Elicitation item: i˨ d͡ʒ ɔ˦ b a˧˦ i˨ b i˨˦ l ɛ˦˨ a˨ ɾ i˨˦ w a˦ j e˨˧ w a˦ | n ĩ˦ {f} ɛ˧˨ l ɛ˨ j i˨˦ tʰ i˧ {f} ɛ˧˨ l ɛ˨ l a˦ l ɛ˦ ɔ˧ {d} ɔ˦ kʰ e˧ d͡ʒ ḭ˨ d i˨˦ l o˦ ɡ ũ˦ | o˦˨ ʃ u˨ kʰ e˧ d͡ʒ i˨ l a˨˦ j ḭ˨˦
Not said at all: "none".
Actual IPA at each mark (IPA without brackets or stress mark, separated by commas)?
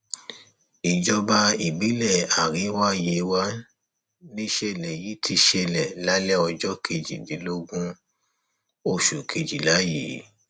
ʃ, ʃ, d͡ʒ